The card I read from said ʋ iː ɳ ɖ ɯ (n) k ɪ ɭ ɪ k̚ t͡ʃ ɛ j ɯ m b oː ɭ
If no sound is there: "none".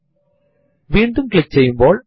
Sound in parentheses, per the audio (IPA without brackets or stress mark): m